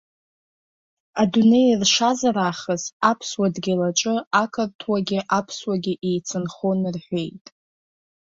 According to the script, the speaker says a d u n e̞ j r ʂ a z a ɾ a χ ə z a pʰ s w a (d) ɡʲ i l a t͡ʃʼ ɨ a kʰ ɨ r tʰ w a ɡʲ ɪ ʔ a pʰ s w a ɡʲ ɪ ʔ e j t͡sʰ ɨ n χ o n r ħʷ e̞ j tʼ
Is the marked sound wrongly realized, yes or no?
no